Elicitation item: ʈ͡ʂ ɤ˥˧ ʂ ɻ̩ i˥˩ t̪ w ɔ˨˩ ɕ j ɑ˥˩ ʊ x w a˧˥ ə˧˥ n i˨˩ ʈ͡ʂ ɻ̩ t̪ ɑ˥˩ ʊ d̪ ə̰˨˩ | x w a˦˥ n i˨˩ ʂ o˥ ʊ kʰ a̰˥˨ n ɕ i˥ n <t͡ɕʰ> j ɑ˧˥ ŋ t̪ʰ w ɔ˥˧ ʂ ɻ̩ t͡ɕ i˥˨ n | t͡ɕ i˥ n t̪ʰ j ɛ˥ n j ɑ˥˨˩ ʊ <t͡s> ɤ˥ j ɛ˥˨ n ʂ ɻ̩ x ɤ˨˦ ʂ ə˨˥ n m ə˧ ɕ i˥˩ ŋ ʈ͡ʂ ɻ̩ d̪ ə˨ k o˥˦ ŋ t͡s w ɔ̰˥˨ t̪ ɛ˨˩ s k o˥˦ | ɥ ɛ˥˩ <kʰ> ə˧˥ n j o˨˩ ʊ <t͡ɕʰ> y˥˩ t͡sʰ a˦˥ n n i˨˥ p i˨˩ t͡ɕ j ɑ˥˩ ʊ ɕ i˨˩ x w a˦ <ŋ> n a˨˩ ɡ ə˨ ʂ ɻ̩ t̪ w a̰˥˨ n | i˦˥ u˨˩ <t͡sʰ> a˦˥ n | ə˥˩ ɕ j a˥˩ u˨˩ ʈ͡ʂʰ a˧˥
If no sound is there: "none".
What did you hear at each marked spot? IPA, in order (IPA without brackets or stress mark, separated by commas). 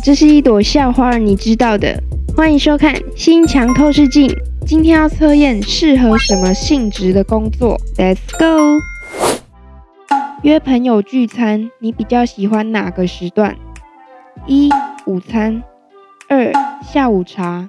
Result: t͡ɕʰ, t͡sʰ, pʰ, t͡ɕ, n, t͡sʰ